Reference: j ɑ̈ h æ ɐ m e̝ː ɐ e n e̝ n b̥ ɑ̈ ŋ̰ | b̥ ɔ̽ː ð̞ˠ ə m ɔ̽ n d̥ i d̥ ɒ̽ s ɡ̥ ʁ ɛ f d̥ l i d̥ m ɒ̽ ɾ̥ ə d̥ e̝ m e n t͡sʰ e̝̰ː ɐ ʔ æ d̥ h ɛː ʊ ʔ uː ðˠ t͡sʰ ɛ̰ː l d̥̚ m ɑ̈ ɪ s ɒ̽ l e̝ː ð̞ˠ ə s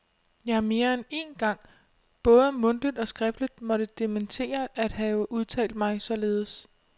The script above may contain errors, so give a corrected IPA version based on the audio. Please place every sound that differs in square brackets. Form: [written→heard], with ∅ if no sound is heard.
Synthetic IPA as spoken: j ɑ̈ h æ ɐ m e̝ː ɐ e n e̝ n [b̥→ɡ̥] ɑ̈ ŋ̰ | b̥ ɔ̽ː ð̞ˠ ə m ɔ̽ n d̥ i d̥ ɒ̽ s ɡ̥ ʁ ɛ f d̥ l i d̥ m ɒ̽ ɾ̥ ə d̥ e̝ m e n t͡sʰ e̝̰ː ɐ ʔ æ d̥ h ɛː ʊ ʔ [uː→u] ðˠ t͡sʰ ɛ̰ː l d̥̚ m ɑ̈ ɪ s ɒ̽ l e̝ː ð̞ˠ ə s